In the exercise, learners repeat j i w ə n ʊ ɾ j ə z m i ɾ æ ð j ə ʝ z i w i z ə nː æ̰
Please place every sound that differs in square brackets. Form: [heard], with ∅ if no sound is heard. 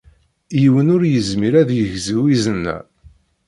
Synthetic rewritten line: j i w ə n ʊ ɾ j ə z m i ɾ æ ð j ə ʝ z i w i z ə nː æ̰